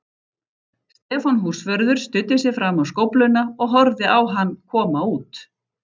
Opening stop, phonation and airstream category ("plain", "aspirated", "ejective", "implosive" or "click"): plain